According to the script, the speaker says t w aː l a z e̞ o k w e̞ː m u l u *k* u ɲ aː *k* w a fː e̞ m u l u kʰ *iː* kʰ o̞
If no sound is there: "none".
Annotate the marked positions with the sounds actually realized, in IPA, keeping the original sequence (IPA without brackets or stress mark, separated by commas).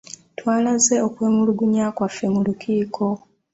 ɡ, k, iː